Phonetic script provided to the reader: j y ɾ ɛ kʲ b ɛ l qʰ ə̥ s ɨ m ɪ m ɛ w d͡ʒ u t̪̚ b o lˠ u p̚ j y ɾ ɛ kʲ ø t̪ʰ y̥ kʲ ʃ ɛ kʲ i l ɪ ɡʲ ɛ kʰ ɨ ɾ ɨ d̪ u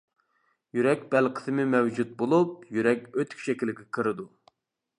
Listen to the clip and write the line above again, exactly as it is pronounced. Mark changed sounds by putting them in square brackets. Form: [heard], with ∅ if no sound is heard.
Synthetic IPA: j y ɾ ɛ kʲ b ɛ l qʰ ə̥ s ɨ m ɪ m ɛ w d͡ʒ u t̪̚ b o lˠ u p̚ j y ɾ ɛ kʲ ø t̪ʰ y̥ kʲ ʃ ɛ kʲ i l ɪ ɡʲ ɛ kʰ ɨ ɾ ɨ d̪ u